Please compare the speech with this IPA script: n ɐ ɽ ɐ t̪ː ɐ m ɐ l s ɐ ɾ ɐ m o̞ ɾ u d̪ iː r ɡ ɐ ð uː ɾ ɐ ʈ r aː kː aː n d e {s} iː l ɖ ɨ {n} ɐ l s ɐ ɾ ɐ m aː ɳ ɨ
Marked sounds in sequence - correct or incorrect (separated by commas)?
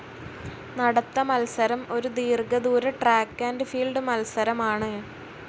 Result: incorrect, incorrect